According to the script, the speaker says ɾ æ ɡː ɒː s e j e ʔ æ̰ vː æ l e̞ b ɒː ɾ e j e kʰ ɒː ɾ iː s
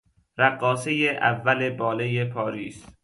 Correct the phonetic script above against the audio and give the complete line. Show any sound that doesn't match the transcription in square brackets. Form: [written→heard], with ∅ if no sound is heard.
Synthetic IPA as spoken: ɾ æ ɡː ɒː s e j e ʔ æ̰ vː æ l e̞ b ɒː [ɾ→l] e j e [kʰ→pʰ] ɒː ɾ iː s

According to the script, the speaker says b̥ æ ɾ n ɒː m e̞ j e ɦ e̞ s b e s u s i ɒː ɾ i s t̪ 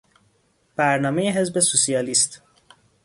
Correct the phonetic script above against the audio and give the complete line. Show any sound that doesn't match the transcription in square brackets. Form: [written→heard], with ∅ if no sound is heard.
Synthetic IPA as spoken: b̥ æ ɾ n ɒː m e̞ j e ɦ e̞ [s→z] b e s u s i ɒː [ɾ→l] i s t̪

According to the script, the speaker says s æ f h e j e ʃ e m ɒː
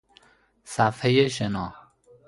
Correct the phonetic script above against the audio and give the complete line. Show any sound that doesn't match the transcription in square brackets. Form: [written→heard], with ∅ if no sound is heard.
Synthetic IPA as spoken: s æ f h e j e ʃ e [m→n] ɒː

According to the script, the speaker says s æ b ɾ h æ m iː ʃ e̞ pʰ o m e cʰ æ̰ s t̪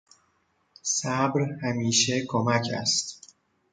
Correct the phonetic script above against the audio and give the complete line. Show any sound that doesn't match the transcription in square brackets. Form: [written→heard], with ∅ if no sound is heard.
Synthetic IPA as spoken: s æ b ɾ h æ m iː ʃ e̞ [pʰ→kʰ] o m [e→æ] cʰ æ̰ s t̪

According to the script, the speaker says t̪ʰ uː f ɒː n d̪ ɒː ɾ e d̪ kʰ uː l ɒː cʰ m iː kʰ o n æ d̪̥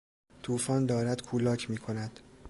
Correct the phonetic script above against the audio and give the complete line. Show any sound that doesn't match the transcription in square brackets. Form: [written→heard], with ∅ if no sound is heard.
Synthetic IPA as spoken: t̪ʰ uː f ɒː n d̪ ɒː ɾ [e→æ] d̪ kʰ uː l ɒː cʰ m iː kʰ o n æ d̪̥

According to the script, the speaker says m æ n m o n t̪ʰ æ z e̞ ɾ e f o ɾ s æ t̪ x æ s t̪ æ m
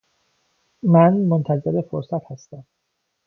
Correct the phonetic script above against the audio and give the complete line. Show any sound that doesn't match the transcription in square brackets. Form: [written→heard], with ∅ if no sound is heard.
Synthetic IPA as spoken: m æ n m o n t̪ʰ æ z e̞ ɾ e f o ɾ s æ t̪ [x→h] æ s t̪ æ m

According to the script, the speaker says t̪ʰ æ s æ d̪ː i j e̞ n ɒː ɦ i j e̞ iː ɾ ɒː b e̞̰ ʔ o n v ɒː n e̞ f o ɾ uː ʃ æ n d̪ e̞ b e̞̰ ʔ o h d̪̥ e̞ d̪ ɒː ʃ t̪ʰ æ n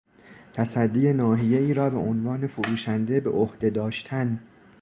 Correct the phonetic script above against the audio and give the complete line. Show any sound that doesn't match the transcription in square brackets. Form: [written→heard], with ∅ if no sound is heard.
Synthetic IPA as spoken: t̪ʰ æ s æ d̪ː i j e̞ n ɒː ɦ i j e̞ iː ɾ ɒː b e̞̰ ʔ o n v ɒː n e̞ f o ɾ uː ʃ æ n d̪ e̞ b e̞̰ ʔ o h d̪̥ e̞ d̪ ɒː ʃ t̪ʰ æ n

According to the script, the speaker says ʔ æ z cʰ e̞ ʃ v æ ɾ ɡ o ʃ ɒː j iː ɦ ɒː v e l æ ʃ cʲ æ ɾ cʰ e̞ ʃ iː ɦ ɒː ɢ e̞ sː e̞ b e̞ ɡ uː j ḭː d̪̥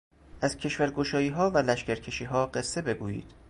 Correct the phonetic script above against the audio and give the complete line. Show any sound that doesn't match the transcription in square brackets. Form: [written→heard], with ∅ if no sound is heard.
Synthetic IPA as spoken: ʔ æ z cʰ e̞ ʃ v æ ɾ ɡ o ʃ ɒː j iː ɦ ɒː v [e→æ] l æ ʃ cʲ æ ɾ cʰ e̞ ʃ iː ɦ ɒː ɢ e̞ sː e̞ b e̞ ɡ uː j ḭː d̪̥

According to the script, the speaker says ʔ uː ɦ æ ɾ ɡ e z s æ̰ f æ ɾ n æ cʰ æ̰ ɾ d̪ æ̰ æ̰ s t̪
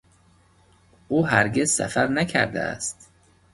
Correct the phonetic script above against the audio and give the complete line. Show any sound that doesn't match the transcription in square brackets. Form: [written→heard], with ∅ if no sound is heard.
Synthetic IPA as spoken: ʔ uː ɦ æ ɾ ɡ e z s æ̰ f æ ɾ n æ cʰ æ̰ ɾ d̪ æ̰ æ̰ s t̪

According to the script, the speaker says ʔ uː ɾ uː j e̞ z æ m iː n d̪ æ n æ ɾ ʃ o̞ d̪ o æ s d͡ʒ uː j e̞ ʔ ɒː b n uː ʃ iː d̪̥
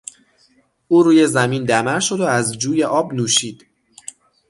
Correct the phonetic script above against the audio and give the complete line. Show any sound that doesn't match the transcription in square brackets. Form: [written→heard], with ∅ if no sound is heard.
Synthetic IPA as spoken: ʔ uː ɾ uː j e̞ z æ m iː n d̪ æ [n→m] æ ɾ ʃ o̞ d̪ o æ [s→z] d͡ʒ uː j e̞ ʔ ɒː b n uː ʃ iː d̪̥

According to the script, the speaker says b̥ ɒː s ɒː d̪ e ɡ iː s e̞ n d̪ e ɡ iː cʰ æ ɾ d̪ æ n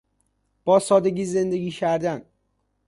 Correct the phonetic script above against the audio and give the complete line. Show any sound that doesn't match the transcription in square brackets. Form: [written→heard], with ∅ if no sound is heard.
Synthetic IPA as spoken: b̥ ɒː s ɒː d̪ e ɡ iː [s→z] e̞ n d̪ e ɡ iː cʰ æ ɾ d̪ æ n

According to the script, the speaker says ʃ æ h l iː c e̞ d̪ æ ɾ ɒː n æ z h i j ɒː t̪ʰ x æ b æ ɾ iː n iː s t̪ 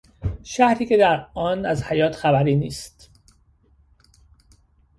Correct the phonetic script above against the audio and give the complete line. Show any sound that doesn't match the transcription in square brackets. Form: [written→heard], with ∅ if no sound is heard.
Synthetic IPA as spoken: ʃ æ h [l→ɾ] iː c e̞ d̪ æ ɾ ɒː n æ z h [i→æ] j ɒː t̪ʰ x æ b æ ɾ iː n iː s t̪

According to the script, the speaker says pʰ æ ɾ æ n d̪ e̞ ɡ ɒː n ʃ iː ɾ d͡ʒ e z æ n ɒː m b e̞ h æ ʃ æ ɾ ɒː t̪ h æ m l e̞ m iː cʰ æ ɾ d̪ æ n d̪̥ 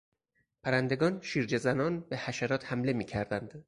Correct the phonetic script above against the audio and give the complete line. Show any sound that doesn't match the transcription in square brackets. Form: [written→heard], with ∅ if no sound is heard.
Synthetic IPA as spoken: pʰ æ ɾ æ n d̪ e̞ ɡ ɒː n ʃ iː ɾ d͡ʒ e z æ n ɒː [m→n] b e̞ h æ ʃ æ ɾ ɒː t̪ h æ m l e̞ m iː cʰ æ ɾ d̪ æ n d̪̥

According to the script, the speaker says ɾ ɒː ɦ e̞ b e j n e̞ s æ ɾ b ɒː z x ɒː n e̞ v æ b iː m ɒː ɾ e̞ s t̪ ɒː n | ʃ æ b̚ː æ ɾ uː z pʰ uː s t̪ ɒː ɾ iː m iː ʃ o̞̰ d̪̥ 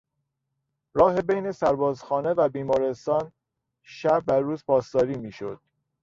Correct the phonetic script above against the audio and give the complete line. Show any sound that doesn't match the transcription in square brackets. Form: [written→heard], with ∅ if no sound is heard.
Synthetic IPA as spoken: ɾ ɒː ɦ e̞ b e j n e̞ s æ ɾ b ɒː z x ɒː n e̞ v æ b iː m ɒː ɾ e̞ s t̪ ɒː n | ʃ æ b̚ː æ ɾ uː z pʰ [uː→ɒː] s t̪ ɒː ɾ iː m iː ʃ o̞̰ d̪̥

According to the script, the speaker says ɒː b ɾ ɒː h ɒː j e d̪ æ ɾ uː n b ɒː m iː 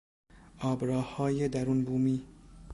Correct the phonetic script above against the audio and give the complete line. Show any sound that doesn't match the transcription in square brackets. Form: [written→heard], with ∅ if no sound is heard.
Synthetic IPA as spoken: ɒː b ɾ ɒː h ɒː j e d̪ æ ɾ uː n b [ɒː→uː] m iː

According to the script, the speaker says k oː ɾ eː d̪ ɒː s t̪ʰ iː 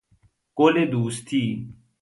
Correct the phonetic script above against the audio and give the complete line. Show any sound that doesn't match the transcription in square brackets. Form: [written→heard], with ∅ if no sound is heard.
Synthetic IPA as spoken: k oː [ɾ→l] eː d̪ [ɒː→uː] s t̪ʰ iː

